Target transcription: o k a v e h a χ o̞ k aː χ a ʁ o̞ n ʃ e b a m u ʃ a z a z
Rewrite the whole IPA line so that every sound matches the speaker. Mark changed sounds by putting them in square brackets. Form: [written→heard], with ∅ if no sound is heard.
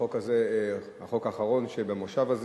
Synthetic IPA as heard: o k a [v→z] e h a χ o̞ k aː χ a ʁ o̞ n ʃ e b [a→e] m [u→o] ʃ a [z→v] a z